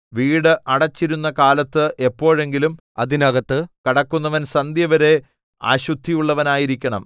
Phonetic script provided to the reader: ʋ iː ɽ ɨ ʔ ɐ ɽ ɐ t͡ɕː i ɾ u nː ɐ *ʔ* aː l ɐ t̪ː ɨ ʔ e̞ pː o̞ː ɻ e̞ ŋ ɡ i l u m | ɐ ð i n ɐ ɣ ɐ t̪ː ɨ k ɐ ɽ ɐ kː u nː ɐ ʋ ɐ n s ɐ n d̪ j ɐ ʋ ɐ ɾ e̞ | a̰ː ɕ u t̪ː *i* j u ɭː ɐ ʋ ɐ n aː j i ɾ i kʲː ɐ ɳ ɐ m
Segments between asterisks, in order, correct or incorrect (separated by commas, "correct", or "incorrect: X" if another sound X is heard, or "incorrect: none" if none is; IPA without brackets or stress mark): incorrect: k, correct